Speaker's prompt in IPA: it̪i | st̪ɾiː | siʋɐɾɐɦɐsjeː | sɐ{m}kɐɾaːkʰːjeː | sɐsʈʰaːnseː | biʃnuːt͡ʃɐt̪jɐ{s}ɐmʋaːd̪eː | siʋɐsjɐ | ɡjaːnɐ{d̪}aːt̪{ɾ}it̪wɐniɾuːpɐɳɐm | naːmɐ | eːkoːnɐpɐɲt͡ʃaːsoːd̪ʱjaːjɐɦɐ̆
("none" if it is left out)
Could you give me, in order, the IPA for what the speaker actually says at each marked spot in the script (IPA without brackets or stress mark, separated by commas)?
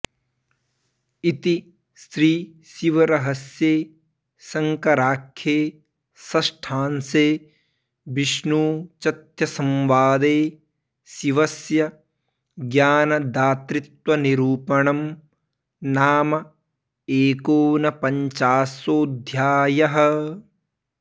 ŋ, s, d̪, ɾ